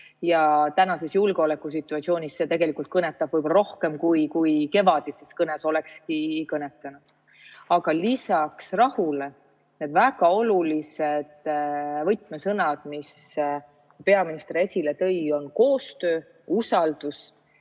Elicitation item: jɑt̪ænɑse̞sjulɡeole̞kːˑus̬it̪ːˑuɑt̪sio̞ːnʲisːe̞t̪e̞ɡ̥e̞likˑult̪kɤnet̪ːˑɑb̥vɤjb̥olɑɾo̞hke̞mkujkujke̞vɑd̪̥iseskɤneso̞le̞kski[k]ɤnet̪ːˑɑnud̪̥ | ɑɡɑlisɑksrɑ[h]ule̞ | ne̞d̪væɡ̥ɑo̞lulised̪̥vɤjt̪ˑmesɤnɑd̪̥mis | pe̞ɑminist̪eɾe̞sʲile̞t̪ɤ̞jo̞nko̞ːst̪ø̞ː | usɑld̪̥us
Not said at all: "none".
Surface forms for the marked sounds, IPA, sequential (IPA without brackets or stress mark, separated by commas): k, h